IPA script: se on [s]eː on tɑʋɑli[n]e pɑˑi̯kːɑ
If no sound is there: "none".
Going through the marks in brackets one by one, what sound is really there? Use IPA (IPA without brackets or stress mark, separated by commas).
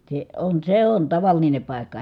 s, n